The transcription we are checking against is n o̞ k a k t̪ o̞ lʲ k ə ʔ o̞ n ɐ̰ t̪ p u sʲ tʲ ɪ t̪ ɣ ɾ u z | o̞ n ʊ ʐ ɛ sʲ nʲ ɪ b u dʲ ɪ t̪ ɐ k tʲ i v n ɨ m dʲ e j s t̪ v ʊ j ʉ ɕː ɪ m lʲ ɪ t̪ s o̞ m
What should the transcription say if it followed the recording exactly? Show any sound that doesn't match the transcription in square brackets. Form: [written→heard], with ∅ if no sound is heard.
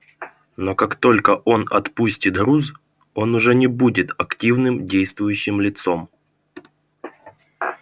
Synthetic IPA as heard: n o̞ k a k t̪ o̞ lʲ k ə ʔ o̞ n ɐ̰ t̪ p u sʲ tʲ ɪ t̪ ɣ ɾ u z | o̞ n ʊ ʐ ɛ [sʲ→∅] nʲ ɪ b u dʲ ɪ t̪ ɐ k tʲ i v n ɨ m dʲ e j s t̪ v ʊ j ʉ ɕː ɪ m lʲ ɪ t̪ s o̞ m